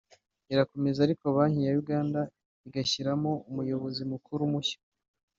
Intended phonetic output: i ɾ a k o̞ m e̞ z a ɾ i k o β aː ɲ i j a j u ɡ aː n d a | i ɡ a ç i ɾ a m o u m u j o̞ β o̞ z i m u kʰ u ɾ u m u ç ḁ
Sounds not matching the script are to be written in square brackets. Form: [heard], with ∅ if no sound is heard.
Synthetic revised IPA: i ɾ a k o̞ m e̞ z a ɾ i k o β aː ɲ i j a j u ɡ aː n d a | i ɡ a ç i ɾ a m o u m u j o̞ β o̞ z i m u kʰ u ɾ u m u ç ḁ